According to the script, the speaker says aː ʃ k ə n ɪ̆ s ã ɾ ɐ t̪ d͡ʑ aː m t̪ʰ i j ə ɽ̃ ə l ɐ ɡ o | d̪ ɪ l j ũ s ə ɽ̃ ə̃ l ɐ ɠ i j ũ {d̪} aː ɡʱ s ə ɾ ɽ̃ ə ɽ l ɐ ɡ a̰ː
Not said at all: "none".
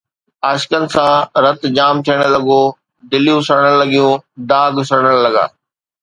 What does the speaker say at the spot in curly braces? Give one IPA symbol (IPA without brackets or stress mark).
d̪